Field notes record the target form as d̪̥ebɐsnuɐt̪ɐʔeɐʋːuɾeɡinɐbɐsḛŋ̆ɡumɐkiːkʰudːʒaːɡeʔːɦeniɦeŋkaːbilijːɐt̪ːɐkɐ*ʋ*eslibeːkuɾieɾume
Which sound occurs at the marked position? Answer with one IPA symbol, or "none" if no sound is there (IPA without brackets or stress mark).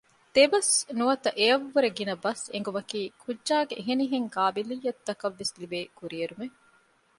ʋː